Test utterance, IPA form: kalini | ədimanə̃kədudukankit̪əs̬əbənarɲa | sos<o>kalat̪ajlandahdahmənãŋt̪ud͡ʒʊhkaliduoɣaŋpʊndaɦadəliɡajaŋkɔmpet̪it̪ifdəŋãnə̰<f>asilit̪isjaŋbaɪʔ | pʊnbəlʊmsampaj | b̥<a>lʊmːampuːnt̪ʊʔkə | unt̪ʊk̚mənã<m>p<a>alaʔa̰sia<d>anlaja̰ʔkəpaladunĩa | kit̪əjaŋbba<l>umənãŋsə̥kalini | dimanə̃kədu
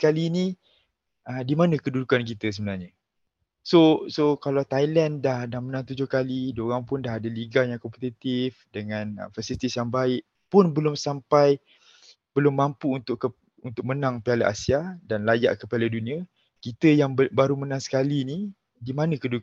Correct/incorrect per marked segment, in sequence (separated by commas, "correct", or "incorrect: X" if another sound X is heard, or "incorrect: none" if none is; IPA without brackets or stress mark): correct, correct, incorrect: ə, incorrect: ŋ, incorrect: i, correct, incorrect: ɾ